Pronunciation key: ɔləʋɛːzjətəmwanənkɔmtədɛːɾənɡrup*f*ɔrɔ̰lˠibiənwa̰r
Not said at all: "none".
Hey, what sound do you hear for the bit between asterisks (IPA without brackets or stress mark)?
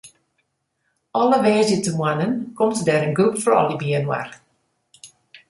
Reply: f